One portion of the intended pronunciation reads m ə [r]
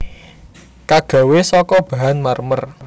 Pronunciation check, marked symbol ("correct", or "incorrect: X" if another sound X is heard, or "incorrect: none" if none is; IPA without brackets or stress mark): correct